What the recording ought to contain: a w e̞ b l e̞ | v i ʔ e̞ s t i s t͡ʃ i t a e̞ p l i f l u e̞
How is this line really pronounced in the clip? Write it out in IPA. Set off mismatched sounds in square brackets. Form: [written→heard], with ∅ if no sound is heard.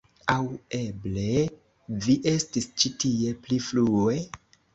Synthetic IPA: a w e̞ b l e̞ | v i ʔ e̞ s t i s t͡ʃ i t [a→i] e̞ p l i f l u e̞